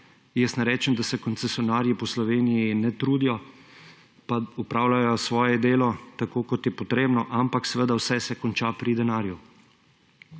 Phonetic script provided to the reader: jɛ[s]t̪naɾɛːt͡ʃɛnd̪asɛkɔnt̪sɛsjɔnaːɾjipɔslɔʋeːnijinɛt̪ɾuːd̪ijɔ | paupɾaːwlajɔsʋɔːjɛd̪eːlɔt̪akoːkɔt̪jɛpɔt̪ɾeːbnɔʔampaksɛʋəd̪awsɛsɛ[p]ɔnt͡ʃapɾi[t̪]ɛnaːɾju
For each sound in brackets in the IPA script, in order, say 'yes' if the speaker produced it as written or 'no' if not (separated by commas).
yes, no, no